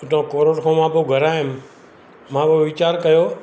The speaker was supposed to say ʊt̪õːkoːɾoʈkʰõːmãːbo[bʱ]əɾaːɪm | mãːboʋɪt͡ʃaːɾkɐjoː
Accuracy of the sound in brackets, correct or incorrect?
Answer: incorrect